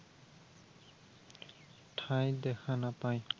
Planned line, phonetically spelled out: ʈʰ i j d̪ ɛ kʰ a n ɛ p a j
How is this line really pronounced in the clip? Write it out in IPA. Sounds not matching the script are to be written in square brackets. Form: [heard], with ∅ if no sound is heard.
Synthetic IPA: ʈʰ [a] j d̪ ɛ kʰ a n [a] p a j